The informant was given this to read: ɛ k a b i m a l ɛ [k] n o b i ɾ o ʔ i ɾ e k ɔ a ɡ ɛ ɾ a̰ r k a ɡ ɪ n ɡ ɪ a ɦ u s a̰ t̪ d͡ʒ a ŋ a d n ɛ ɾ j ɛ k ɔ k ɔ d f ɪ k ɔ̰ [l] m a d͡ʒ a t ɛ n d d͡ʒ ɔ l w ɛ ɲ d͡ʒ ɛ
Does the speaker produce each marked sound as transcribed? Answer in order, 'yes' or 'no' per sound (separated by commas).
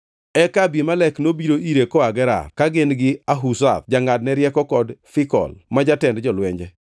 yes, yes